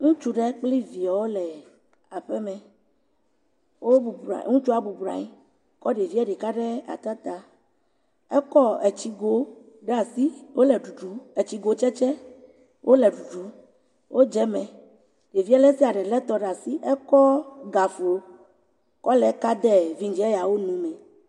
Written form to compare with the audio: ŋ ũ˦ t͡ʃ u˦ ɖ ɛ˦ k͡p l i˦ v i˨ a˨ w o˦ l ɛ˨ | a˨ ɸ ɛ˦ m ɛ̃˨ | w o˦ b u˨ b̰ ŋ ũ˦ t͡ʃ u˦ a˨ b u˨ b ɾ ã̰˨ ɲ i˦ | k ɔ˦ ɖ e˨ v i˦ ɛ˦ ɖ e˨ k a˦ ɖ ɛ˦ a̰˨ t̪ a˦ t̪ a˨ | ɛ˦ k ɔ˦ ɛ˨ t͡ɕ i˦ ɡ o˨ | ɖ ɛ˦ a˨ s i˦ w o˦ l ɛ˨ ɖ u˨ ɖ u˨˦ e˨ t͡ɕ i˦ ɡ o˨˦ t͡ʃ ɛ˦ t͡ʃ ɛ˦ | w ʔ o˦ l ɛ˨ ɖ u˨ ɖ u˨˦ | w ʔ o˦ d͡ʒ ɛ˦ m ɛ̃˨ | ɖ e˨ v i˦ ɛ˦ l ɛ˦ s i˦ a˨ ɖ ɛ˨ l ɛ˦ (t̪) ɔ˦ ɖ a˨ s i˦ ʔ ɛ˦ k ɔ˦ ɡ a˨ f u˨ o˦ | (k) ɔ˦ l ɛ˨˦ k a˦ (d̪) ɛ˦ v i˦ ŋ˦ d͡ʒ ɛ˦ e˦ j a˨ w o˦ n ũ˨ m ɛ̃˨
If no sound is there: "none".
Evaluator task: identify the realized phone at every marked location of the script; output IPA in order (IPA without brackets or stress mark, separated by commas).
t̪, k, d̪